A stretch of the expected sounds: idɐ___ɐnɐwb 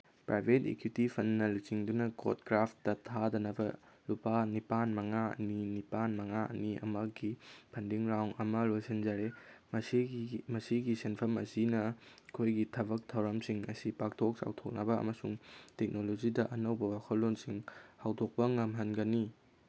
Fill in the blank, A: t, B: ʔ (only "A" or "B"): B